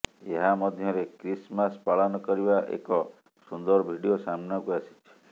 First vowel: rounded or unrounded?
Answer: unrounded